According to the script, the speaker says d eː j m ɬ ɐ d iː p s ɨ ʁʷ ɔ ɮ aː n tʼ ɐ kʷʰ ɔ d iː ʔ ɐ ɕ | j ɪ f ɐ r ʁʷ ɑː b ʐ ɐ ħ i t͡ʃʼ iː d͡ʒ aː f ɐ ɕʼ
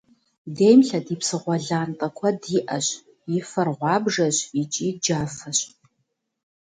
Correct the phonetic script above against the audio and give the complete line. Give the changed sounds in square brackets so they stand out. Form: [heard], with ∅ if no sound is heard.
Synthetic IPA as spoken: d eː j m ɬ ɐ d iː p s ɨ ʁʷ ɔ ɮ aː n tʼ ɐ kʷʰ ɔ d iː ʔ ɐ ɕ | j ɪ f ɐ r ʁʷ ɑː b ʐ ɐ [ɕ] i t͡ʃʼ iː d͡ʒ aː f ɐ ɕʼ